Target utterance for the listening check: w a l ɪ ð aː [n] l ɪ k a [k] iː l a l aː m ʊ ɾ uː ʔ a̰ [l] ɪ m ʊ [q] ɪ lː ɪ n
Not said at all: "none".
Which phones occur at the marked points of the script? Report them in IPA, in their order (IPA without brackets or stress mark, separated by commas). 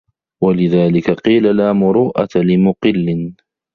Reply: none, q, l, q